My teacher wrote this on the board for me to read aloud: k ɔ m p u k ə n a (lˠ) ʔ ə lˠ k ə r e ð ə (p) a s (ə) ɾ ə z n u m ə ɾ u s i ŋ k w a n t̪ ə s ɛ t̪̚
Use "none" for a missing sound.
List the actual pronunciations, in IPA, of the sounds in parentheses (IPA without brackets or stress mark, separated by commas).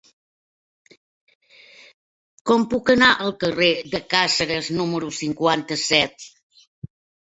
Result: none, k, ə